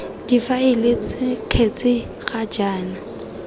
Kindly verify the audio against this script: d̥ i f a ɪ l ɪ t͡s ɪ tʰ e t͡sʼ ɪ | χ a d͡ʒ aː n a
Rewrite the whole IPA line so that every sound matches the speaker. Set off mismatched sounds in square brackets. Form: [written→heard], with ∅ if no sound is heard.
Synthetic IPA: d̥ i f a ɪ l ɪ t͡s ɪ [tʰ→kʰ] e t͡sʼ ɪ | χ a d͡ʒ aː n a